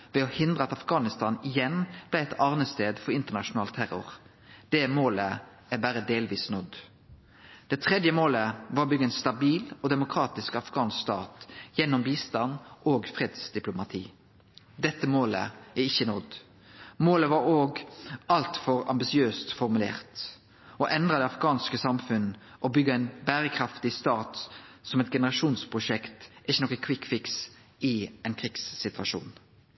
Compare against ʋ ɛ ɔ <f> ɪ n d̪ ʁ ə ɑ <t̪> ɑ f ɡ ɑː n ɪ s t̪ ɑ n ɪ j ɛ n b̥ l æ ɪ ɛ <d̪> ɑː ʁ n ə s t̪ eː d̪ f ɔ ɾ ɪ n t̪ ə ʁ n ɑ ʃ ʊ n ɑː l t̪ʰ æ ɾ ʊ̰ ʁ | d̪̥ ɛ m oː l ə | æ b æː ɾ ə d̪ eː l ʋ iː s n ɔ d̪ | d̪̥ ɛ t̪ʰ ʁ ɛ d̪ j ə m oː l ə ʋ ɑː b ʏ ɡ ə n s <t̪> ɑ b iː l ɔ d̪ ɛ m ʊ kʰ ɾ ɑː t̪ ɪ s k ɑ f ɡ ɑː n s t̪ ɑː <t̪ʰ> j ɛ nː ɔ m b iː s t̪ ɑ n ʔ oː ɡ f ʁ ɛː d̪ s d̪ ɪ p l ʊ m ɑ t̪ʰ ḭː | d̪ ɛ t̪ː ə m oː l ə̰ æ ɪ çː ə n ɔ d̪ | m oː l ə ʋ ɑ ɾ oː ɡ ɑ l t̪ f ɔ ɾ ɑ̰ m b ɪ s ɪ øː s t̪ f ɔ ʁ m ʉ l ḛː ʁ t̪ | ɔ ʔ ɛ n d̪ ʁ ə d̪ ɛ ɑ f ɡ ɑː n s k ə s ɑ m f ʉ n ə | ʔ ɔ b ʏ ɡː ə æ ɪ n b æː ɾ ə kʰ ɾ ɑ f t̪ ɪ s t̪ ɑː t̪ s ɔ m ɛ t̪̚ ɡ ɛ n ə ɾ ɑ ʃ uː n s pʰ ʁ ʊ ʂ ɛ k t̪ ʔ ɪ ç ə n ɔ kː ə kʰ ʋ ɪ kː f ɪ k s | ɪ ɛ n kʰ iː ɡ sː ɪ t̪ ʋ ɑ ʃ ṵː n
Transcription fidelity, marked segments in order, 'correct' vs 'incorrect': incorrect: h, correct, incorrect: t̪, correct, incorrect: t̪

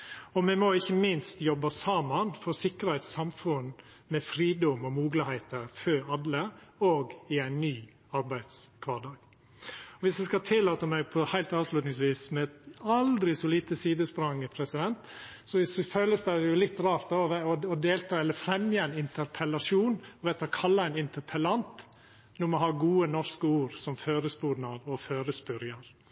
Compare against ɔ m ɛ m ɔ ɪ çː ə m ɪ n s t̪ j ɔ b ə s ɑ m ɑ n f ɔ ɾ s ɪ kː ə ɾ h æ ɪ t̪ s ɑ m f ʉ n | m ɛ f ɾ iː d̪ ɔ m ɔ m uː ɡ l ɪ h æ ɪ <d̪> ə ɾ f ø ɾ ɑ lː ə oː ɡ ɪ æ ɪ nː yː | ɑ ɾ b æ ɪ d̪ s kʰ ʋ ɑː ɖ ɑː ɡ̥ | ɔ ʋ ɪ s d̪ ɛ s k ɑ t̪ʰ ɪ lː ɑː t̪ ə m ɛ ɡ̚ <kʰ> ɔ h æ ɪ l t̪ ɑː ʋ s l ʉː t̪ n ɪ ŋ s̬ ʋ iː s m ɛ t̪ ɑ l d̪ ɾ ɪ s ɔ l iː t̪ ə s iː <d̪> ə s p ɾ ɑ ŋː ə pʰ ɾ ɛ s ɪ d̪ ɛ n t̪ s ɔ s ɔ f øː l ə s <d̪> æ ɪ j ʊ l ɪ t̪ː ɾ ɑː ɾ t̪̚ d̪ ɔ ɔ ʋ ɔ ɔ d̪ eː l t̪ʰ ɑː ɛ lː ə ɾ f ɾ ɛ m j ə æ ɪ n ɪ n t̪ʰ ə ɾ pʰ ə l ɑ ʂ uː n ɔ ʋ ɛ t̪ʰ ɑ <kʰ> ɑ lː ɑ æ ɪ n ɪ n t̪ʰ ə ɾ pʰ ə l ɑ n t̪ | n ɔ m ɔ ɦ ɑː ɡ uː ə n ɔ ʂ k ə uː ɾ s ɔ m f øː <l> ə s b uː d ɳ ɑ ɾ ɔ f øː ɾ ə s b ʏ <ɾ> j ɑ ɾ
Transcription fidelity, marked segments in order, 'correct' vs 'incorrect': incorrect: t̪, incorrect: pʰ, correct, correct, correct, incorrect: ɾ, correct

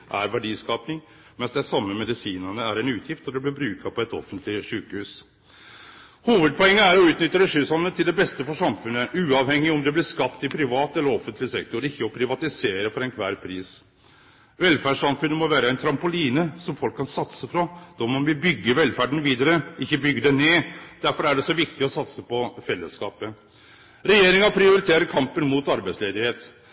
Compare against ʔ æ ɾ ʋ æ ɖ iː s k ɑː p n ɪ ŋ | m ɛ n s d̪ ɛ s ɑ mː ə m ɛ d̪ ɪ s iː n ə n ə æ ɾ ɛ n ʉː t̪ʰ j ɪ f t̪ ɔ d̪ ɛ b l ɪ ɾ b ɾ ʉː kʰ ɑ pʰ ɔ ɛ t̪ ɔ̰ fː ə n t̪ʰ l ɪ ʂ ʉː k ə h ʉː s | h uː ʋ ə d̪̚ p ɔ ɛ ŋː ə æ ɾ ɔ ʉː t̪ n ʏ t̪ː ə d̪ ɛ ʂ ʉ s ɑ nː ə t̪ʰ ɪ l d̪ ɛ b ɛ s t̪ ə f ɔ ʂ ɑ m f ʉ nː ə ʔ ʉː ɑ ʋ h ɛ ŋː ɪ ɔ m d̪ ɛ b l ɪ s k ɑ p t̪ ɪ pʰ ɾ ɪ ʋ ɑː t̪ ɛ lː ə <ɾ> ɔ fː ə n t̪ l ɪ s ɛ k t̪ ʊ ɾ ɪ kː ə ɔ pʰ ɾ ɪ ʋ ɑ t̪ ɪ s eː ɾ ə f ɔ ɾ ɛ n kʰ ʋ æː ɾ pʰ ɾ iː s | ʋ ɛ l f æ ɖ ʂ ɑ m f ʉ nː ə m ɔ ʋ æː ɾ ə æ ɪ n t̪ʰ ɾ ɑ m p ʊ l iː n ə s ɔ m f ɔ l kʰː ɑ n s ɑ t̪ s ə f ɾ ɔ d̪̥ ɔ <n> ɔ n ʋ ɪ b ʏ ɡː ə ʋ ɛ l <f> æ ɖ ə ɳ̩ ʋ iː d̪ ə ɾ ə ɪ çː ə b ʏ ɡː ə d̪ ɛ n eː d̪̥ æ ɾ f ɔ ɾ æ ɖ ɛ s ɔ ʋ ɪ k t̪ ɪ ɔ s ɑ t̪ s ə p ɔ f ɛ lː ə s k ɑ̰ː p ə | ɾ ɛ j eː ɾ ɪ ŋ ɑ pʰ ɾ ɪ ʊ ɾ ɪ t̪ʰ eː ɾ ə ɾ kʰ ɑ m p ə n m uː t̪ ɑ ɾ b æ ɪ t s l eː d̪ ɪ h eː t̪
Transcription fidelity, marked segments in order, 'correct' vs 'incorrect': correct, incorrect: m, correct

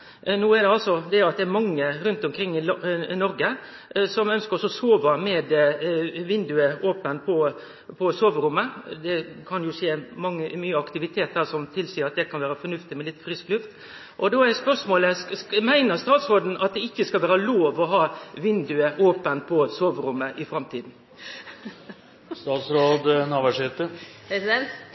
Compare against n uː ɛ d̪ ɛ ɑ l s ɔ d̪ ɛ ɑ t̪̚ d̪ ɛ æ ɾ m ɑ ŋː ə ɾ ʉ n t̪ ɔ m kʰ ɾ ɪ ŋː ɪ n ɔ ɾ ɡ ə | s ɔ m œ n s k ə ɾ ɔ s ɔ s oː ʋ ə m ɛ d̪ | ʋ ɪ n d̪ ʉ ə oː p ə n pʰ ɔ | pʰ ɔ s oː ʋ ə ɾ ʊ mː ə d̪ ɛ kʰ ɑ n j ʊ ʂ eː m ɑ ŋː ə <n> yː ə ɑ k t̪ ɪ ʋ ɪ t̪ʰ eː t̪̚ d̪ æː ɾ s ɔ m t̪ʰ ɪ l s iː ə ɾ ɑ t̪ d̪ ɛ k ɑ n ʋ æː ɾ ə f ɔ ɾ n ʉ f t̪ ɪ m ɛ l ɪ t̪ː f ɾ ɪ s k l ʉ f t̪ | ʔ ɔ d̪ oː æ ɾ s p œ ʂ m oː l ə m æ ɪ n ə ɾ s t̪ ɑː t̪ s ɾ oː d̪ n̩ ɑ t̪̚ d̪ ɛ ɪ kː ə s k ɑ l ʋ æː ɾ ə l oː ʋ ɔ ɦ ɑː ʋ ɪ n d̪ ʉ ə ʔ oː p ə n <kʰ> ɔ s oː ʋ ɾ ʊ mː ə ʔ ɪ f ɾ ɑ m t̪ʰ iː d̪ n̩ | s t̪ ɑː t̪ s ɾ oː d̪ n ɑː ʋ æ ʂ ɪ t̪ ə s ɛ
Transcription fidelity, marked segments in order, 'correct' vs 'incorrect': incorrect: m, incorrect: pʰ

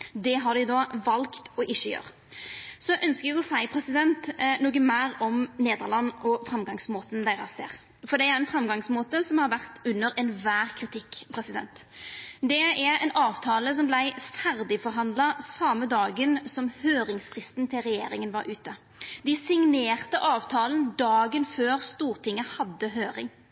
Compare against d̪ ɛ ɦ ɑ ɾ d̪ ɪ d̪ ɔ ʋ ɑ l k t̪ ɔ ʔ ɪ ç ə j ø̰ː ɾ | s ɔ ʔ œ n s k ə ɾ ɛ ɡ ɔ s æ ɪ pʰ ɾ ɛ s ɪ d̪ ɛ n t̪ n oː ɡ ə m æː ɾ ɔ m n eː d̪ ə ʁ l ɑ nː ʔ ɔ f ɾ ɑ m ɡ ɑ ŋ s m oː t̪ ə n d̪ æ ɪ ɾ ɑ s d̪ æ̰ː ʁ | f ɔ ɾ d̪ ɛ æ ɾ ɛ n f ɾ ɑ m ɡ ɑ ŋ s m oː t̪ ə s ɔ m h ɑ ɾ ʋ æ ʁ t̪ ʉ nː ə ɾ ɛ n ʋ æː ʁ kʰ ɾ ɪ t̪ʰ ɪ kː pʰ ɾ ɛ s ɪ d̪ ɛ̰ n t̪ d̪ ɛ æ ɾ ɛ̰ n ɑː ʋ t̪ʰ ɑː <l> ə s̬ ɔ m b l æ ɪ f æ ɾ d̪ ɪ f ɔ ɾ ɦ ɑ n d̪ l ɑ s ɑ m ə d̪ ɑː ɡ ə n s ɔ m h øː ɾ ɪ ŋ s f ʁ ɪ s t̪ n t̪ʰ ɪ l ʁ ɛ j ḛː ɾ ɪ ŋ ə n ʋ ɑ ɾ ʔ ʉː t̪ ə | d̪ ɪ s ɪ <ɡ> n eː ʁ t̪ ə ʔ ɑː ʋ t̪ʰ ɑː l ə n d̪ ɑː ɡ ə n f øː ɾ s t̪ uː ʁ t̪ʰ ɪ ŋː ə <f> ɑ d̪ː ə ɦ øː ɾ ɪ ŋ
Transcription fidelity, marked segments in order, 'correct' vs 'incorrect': correct, incorrect: ŋ, incorrect: h

